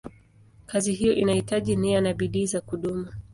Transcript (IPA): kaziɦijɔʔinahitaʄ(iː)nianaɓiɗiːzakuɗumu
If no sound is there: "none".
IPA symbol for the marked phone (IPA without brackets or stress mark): i